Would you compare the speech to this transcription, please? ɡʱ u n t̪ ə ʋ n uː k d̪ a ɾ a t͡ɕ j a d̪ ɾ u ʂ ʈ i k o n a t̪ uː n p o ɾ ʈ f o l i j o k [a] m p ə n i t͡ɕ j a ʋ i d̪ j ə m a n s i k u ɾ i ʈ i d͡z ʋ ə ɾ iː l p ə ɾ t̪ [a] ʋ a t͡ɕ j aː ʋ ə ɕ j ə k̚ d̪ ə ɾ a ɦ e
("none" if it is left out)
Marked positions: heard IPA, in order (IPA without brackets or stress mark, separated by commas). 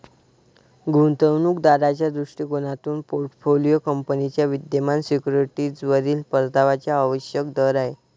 ə, a